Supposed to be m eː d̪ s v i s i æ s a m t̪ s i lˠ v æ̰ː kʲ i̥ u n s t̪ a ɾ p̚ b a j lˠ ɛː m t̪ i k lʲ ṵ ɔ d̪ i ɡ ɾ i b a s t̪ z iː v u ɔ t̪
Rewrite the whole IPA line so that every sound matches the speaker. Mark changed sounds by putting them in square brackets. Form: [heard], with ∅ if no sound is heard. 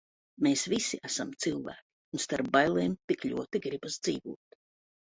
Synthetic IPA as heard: m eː [∅] s v i s i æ s a m t̪ s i lˠ v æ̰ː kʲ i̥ u n s t̪ a ɾ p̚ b a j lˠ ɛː m t̪ i k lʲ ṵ ɔ [t̪] i ɡ ɾ i b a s [d̪] z iː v u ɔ t̪